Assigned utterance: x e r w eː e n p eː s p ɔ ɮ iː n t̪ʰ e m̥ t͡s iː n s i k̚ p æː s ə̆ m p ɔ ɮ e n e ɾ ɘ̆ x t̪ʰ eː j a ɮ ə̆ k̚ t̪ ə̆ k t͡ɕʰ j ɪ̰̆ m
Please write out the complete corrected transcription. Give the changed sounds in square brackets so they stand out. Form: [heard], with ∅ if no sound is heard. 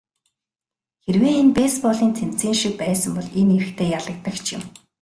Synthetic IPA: x e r w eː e n p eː s p ɔ ɮ iː n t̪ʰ e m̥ t͡s iː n [ʃ] i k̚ p æː s ə̆ m p ɔ ɮ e n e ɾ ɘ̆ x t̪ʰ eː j a ɮ ə̆ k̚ t̪ ə̆ k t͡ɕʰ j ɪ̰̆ m